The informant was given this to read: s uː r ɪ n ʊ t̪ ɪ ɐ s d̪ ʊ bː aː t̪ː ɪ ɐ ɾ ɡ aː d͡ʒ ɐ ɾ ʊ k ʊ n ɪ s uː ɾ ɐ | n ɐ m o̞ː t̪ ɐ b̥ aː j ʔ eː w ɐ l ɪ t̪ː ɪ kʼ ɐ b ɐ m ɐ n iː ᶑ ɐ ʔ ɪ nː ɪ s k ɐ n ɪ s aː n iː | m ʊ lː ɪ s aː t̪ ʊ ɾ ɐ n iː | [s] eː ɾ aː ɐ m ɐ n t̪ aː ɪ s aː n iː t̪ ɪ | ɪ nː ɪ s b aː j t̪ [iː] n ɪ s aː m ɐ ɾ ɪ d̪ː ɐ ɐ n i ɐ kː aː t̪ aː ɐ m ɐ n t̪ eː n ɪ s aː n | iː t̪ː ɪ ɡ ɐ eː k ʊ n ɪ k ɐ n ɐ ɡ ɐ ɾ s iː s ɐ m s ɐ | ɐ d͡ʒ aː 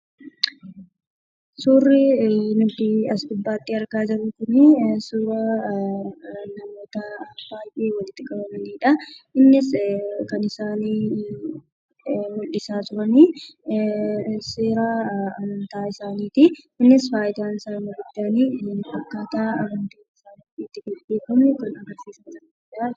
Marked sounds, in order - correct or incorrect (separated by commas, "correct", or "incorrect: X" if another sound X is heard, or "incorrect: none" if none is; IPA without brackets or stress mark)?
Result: correct, incorrect: aː